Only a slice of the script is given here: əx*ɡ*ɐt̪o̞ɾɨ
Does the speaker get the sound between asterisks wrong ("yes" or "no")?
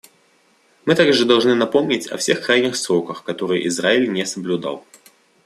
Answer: yes